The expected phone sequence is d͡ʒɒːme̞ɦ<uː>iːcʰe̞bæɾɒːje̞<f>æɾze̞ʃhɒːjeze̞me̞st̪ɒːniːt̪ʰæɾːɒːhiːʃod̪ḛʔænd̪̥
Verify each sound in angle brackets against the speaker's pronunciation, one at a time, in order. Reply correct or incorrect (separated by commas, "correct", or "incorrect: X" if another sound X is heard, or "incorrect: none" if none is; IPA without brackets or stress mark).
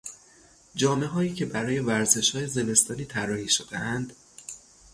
incorrect: ɒː, incorrect: v